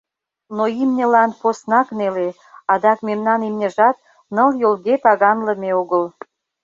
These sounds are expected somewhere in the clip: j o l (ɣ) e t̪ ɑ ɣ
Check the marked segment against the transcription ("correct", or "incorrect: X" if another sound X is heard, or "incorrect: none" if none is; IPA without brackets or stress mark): correct